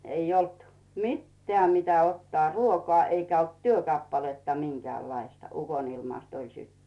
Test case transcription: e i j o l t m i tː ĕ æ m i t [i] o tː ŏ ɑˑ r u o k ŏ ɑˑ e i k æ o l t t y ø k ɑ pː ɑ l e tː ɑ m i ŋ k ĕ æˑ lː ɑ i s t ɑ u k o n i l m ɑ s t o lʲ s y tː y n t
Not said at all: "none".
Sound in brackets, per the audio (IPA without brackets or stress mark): æ